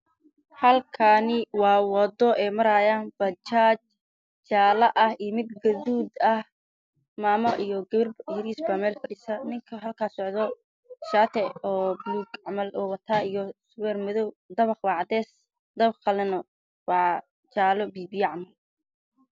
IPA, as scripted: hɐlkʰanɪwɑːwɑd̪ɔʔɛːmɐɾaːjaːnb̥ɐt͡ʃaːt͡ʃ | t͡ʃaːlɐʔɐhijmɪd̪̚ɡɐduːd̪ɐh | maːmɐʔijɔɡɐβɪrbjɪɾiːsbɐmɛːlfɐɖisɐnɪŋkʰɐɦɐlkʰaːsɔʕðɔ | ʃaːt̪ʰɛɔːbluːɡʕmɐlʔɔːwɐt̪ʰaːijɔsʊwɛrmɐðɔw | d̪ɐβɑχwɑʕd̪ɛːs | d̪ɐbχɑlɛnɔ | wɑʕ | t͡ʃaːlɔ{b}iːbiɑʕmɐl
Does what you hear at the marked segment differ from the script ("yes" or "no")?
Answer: no